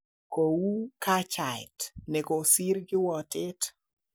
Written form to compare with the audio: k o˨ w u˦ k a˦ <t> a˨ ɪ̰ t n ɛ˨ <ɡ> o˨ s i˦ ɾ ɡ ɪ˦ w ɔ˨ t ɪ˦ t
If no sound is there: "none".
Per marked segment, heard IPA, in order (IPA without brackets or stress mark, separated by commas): t͡ʃ, k